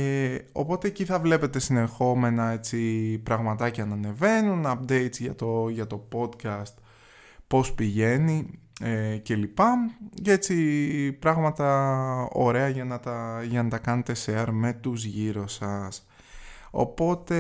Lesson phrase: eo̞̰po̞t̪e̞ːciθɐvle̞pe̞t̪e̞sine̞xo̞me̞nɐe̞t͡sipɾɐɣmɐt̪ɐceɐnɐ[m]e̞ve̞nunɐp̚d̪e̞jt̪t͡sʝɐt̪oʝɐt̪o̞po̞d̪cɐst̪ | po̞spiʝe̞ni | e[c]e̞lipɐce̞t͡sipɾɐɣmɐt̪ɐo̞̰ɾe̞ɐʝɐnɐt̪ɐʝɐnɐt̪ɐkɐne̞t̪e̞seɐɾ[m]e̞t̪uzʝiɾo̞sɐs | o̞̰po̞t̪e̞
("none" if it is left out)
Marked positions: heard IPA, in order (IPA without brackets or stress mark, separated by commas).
n, c, m